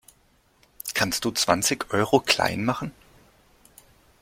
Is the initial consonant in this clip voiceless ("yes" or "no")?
yes